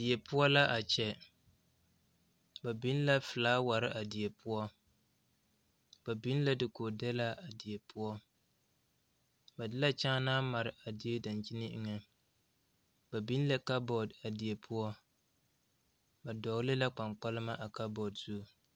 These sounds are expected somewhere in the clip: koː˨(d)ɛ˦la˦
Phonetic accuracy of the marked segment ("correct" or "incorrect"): correct